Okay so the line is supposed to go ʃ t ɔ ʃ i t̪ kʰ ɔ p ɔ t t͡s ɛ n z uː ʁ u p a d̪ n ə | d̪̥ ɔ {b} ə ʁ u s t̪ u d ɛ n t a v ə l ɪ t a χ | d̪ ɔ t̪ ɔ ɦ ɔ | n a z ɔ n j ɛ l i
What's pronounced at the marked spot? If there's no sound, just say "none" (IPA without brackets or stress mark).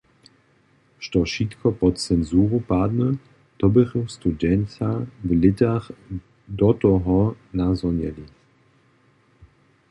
b